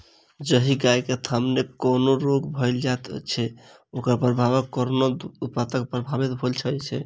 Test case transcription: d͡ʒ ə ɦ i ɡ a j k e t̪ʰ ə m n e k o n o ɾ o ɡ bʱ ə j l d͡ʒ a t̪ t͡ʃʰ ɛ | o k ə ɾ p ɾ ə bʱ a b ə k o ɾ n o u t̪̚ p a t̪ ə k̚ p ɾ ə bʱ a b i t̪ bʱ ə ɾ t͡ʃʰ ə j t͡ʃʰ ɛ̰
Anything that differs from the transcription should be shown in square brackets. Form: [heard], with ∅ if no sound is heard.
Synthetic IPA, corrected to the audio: d͡ʒ ə ɦ i ɡ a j k e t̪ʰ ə m n e k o n o ɾ o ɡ bʱ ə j l d͡ʒ a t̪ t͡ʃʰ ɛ | o k ə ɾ p ɾ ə bʱ a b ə k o ɾ n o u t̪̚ p a t̪ ə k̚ p ɾ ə bʱ a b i t̪ bʱ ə [l] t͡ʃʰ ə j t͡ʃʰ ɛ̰